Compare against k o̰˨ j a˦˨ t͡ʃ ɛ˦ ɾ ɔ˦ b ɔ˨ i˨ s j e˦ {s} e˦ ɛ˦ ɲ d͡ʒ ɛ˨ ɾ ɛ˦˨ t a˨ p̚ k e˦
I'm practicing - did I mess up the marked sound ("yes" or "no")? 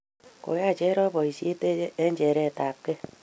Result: yes